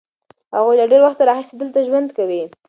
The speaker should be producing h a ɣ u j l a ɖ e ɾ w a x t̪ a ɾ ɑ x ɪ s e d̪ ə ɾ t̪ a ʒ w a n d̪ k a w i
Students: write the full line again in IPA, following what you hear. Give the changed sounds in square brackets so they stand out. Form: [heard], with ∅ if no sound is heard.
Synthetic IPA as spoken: h a ɣ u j l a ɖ e ɾ w a x t̪ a ɾ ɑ x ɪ s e d̪ ə [l] t̪ a ʒ w a n d̪ k a w i